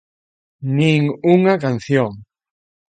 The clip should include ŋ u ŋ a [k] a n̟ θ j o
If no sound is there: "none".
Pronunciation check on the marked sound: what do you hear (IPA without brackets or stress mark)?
k